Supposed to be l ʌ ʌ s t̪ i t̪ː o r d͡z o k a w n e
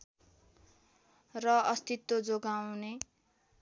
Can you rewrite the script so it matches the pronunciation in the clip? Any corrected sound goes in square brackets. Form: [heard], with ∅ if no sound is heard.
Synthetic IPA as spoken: [r] ʌ ʌ s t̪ i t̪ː o [∅] d͡z o [ɡ] a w n e